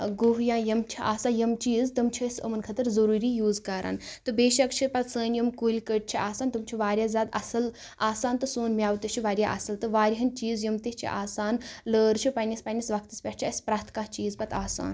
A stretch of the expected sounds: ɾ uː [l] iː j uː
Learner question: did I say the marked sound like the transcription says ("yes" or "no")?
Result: no